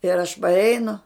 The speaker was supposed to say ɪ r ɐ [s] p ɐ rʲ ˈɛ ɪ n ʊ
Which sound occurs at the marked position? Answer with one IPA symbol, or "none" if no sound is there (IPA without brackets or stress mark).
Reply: ʃ